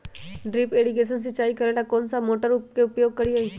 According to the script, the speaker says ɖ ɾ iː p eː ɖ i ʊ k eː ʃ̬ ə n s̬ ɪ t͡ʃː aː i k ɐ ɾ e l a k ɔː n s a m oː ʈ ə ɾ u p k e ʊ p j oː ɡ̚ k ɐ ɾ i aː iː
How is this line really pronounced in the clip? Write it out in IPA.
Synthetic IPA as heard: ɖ ɾ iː p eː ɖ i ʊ k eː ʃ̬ ə n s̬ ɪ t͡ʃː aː i k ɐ ɾ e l a k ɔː n s a m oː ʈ ə ɾ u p k e ʊ p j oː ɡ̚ k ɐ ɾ i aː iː